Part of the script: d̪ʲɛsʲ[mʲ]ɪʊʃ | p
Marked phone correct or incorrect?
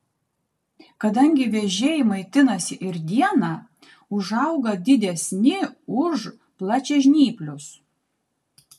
incorrect